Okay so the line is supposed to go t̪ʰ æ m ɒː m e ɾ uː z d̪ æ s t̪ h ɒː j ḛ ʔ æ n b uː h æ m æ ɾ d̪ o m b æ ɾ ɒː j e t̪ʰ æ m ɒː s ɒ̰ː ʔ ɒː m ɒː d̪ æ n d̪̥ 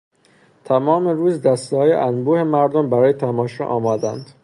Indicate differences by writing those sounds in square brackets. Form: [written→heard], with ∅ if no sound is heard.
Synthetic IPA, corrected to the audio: t̪ʰ æ m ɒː m e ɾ uː z d̪ æ s t̪ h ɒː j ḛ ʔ æ n b uː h [æ→e] m æ ɾ d̪ o m b æ ɾ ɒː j e t̪ʰ æ m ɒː [s→ʃ] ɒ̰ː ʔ ɒː m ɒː d̪ æ n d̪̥